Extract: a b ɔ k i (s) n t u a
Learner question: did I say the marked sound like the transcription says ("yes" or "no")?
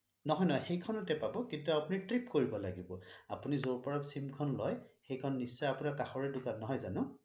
no